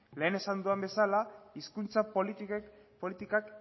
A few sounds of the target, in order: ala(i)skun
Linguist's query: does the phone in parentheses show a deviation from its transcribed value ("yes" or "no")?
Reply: no